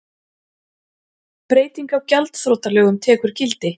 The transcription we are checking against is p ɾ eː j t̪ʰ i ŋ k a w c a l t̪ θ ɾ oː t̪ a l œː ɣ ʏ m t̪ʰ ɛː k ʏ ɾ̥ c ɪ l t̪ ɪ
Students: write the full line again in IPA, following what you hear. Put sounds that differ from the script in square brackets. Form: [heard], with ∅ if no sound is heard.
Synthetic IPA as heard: p ɾ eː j [t̪] i ŋ k a w c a l t̪ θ ɾ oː t̪ a l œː ɣ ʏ m t̪ʰ ɛː k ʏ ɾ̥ c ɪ l t̪ ɪ